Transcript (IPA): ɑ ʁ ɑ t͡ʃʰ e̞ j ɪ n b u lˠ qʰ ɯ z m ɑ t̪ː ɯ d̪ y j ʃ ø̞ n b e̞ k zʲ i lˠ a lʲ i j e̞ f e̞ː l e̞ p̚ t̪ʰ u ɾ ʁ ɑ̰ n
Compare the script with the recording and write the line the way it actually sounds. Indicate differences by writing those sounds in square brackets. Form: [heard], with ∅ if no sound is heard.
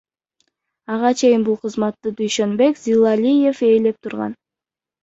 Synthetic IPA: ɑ ʁ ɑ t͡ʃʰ e̞ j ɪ n b u lˠ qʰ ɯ z m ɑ t̪ː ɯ d̪ y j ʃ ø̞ n b e̞ k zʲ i lˠ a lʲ i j e̞ f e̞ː l e̞ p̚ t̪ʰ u ɾ ʁ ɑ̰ n